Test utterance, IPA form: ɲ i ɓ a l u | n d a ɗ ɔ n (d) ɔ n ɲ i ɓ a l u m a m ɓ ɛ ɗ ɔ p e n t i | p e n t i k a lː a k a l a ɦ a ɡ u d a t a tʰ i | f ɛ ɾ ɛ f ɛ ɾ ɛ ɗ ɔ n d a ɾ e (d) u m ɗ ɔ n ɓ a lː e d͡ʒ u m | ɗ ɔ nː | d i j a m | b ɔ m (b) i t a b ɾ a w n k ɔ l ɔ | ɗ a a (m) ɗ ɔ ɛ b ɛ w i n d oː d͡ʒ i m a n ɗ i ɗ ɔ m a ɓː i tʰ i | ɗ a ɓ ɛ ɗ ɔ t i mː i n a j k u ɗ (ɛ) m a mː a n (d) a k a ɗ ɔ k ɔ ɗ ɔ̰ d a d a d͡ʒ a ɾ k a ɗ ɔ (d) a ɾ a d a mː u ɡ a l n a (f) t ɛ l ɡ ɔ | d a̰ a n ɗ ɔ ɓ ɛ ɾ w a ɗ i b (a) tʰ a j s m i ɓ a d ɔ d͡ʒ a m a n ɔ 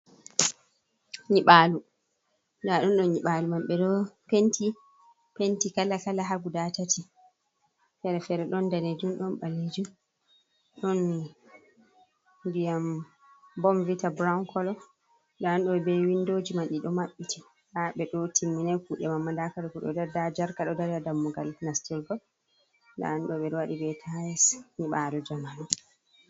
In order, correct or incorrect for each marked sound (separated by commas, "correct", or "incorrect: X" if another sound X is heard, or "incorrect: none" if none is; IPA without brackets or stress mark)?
incorrect: ɗ, incorrect: d͡ʒ, incorrect: v, incorrect: n, correct, correct, correct, incorrect: s, incorrect: ɛ